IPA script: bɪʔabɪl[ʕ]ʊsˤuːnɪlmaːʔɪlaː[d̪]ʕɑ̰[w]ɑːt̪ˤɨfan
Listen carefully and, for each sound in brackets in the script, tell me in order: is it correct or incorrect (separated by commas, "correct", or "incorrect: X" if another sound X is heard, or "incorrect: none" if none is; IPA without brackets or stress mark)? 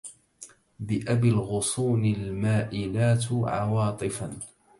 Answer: incorrect: ɣ, incorrect: t̪, correct